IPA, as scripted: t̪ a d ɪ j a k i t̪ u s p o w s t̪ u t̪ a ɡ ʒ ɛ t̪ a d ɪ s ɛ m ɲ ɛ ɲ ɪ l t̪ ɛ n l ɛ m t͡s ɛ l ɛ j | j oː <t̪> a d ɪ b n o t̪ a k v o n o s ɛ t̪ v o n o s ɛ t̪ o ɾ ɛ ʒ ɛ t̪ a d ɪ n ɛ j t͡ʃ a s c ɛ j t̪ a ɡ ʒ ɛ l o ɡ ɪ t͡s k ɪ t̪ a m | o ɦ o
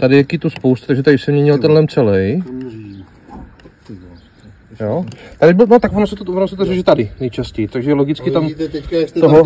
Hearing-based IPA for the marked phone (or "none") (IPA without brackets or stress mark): t̪